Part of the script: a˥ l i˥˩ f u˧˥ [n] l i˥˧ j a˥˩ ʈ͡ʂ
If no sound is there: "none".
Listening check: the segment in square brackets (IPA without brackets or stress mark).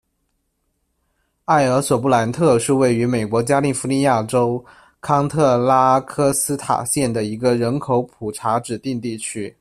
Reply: none